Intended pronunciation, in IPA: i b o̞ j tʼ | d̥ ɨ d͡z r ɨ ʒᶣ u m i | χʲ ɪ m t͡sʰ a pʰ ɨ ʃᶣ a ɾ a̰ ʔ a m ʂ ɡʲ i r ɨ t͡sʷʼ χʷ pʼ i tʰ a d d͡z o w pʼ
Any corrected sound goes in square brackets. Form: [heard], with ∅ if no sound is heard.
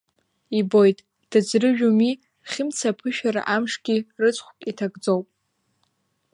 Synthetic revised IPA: i b o̞ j tʼ | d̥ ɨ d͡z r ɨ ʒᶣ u m i | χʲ ɪ m t͡sʰ a pʰ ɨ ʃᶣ a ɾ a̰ ʔ a m ʂ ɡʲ i r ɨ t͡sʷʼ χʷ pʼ i tʰ a [ɡ] d͡z o w pʼ